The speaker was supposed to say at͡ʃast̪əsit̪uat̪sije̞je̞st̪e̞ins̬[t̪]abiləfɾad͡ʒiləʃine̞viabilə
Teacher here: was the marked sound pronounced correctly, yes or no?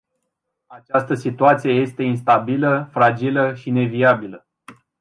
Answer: yes